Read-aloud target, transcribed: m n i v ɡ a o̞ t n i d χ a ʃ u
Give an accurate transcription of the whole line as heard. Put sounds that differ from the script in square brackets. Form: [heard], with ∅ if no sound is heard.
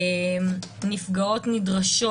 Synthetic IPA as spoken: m n i [f] ɡ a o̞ t n i d [ʁ] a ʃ [o]